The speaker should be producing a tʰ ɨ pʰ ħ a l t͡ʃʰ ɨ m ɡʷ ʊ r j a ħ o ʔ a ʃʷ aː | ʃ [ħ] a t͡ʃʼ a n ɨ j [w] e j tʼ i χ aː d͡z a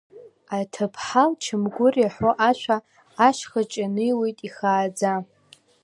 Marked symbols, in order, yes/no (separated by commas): no, yes